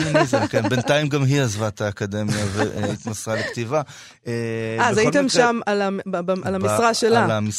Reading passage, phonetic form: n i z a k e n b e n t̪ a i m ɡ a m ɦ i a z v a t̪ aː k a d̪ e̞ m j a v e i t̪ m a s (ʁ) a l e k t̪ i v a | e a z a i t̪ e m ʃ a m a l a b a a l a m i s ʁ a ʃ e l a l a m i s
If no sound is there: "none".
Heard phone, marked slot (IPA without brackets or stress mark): ʁ